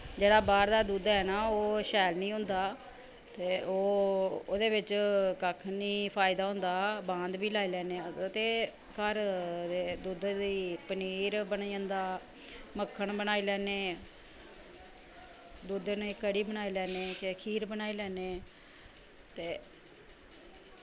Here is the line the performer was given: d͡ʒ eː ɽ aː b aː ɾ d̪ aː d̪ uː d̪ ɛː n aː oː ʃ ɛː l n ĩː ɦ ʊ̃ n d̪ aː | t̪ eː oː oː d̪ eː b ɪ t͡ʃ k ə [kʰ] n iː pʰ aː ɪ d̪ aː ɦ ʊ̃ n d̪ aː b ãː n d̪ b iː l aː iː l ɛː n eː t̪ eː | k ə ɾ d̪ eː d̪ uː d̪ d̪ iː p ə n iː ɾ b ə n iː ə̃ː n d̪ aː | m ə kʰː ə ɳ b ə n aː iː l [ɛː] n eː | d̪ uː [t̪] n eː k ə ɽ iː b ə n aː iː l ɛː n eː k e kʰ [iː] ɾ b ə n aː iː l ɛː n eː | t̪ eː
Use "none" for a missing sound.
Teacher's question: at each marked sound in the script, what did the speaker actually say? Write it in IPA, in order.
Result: kʰ, ɛː, d̪, iː

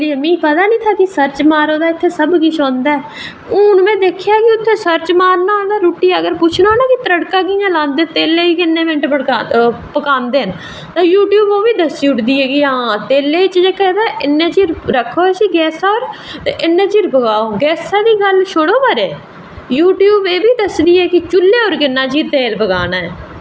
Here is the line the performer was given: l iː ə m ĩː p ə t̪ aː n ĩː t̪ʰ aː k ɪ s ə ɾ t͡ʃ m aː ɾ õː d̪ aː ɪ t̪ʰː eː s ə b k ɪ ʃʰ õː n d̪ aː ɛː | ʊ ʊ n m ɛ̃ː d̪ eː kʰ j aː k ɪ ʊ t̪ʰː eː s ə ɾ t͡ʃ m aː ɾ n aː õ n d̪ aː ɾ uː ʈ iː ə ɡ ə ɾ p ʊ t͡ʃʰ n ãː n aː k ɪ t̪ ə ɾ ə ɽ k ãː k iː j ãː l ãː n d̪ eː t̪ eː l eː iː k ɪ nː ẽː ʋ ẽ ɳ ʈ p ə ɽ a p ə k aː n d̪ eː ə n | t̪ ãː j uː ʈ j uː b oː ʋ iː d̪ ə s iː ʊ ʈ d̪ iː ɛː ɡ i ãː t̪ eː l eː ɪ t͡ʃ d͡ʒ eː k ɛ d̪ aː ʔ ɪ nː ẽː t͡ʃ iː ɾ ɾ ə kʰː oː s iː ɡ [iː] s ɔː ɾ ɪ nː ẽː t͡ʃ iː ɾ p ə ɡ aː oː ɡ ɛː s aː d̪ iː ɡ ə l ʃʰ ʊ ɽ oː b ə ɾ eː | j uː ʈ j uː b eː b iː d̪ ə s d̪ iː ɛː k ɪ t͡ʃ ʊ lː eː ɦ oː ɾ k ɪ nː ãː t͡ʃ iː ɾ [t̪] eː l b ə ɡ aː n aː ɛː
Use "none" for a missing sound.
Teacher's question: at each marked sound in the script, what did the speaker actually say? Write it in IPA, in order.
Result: ɛː, t̪

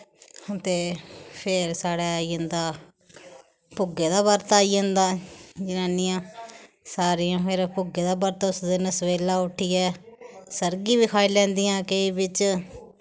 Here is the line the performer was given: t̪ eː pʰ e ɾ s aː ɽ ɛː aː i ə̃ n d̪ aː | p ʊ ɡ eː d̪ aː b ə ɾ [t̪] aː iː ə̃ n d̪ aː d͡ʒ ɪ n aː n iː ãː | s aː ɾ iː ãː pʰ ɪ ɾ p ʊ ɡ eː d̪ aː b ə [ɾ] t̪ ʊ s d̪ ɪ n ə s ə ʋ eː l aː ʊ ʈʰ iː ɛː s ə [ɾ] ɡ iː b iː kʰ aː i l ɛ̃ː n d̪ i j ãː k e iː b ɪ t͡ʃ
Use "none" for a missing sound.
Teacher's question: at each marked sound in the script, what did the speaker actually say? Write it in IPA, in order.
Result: t̪, ɾ, ɾ

